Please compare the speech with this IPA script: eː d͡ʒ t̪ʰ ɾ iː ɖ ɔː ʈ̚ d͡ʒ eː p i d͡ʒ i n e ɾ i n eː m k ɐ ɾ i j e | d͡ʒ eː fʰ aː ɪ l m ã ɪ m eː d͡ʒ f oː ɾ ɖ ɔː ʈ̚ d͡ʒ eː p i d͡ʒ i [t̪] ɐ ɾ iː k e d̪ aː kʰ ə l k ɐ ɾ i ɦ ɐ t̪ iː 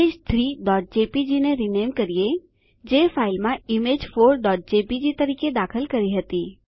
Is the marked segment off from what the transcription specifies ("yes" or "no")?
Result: no